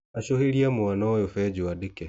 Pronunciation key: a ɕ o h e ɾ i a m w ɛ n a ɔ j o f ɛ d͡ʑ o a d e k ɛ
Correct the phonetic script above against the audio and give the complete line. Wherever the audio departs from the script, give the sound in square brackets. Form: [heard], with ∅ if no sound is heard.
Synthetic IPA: a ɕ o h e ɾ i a m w [a] n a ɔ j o f ɛ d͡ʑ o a d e k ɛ